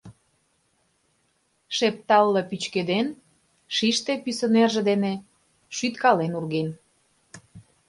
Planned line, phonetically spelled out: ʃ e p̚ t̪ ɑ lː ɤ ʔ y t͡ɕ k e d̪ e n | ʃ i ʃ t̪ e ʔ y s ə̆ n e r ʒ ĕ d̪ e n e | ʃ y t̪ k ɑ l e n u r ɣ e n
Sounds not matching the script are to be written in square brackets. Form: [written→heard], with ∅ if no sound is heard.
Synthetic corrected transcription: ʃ e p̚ t̪ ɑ lː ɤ [ʔ→p] y t͡ɕ k e d̪ e n | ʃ i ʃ t̪ e [ʔ→p] y s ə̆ n e r ʒ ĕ d̪ e n e | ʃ y t̪ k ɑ l e n u r ɣ e n